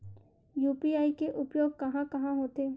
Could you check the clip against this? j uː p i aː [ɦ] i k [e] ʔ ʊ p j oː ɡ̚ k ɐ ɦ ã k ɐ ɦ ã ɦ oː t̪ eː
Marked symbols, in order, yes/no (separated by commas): no, yes